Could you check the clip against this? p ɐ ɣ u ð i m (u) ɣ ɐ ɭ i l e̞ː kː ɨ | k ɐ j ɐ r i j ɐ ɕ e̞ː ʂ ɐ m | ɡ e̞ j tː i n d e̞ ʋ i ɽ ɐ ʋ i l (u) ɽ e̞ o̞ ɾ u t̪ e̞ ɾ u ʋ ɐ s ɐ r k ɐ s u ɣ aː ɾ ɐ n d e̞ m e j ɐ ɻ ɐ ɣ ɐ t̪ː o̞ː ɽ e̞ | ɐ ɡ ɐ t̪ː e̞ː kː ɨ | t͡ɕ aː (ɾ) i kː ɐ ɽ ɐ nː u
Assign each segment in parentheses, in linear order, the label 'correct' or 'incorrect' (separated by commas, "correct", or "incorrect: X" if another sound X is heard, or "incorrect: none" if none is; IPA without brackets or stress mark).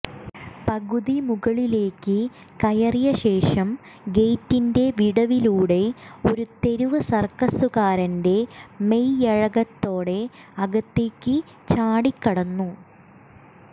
correct, incorrect: uː, incorrect: ɽ